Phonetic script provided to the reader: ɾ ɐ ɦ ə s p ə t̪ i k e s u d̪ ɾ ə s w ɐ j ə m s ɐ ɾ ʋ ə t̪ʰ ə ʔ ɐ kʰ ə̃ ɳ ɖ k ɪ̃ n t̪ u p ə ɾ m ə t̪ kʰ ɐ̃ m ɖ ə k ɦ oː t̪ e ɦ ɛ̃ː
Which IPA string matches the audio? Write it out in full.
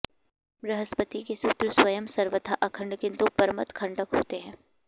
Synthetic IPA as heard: ɾ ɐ ɦ ə s p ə t̪ i k e s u t̪ ɾ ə s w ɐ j ə m s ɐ ɾ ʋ ə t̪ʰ a ʔ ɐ kʰ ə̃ ɳ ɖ k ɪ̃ n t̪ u p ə ɾ m ə t̪ kʰ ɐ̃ ɳ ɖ ə k ɦ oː t̪ e ɦ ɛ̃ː